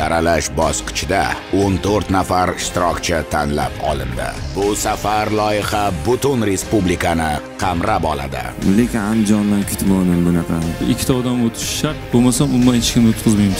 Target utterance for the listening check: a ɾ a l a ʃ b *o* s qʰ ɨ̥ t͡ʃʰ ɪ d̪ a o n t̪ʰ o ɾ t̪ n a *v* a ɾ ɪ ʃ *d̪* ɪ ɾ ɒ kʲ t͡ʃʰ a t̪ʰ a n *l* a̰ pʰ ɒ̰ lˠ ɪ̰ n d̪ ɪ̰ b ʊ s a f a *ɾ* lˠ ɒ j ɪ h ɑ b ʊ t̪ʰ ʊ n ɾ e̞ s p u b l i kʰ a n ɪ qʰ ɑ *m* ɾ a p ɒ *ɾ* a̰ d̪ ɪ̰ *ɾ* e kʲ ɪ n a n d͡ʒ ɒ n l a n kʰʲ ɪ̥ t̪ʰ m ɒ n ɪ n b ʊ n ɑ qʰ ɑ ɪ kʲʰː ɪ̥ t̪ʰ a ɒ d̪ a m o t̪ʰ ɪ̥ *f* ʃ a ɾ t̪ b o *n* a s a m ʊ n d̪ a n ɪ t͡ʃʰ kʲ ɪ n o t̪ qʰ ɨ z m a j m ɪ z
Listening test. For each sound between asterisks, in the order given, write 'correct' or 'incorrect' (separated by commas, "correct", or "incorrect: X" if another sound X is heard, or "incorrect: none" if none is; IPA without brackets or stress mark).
incorrect: ɒ, incorrect: f, incorrect: t̪, correct, correct, correct, incorrect: l, incorrect: l, incorrect: ʃ, incorrect: m